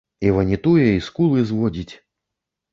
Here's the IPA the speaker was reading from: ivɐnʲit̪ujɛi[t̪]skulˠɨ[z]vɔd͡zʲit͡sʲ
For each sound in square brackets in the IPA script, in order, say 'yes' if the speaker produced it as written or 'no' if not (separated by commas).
no, yes